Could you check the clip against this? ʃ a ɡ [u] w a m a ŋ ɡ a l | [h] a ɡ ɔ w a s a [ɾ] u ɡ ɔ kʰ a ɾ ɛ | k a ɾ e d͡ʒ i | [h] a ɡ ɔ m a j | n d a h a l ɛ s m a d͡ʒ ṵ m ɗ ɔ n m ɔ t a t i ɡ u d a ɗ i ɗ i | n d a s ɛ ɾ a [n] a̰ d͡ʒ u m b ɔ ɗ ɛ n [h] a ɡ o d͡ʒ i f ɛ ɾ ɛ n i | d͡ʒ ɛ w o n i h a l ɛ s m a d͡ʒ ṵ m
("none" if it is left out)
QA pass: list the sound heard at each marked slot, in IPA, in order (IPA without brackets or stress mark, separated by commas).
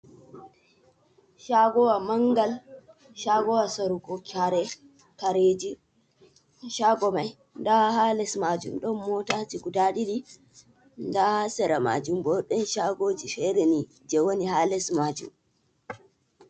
ɔ, ʃ, ɾ, ʃ, m, ʃ